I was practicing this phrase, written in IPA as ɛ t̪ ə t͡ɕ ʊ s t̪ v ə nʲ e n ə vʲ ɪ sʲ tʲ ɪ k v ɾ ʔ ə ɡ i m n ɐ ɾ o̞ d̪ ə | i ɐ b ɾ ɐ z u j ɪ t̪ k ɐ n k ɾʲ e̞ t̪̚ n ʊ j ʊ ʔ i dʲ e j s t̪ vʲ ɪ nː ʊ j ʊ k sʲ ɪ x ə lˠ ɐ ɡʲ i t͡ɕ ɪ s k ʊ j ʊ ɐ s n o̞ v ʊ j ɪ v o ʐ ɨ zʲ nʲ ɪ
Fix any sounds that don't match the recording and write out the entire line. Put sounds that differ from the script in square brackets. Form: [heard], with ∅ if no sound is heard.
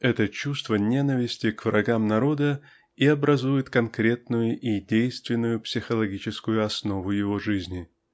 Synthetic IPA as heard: ɛ t̪ ə t͡ɕ [u] s t̪ v ə nʲ e n ə vʲ ɪ sʲ tʲ ɪ k v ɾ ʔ [ɐ] ɡ [a] m n ɐ ɾ o̞ d̪ ə | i ɐ b ɾ ɐ z u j ɪ t̪ k ɐ n k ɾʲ e̞ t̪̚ n ʊ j ʊ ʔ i dʲ e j s t̪ vʲ ɪ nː ʊ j ʊ [p] sʲ ɪ x ə lˠ ɐ ɡʲ i t͡ɕ ɪ s k ʊ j ʊ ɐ s n o̞ v ʊ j ɪ v o ʐ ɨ zʲ nʲ ɪ